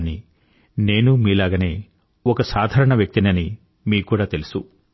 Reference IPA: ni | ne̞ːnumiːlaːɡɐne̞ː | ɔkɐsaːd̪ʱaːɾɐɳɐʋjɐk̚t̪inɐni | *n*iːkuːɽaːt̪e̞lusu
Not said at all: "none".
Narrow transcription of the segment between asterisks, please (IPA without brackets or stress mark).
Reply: m